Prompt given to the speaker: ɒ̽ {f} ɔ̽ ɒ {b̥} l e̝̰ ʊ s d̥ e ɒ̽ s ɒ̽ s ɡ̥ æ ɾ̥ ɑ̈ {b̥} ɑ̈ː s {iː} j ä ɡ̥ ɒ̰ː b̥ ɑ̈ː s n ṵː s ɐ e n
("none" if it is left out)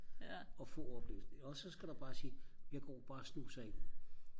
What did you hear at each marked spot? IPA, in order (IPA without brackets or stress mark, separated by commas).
f, b̥, b̥, iː